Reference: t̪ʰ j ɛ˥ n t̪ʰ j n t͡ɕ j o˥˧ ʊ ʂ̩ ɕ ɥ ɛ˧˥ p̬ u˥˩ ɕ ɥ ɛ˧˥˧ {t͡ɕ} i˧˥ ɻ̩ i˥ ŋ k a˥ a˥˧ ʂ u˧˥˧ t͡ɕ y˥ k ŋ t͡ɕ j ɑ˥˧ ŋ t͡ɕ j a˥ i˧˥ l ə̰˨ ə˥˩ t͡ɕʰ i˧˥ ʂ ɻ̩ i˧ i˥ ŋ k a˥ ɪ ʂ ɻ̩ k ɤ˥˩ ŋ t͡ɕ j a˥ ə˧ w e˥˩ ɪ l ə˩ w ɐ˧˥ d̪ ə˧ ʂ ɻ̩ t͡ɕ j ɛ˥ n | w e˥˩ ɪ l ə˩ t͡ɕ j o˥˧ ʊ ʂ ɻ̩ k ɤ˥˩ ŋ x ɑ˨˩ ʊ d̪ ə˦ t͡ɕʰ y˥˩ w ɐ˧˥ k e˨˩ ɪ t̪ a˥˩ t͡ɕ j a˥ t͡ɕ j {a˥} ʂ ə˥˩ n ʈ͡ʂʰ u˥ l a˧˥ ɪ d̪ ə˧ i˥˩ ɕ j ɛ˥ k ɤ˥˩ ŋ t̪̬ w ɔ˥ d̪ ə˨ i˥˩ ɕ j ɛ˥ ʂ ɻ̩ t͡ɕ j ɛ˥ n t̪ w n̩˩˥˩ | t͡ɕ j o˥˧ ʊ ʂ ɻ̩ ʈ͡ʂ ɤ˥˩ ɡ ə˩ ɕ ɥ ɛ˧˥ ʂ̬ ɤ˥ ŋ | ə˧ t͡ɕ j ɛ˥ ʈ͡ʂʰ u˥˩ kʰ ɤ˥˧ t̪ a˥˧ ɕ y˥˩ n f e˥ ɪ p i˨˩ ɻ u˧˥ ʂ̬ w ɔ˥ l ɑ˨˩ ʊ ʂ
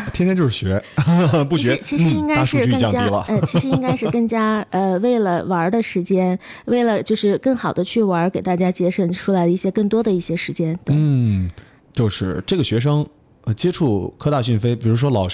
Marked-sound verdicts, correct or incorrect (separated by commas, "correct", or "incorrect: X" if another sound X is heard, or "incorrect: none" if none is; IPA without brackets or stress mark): incorrect: t͡ɕʰ, incorrect: ɛ˥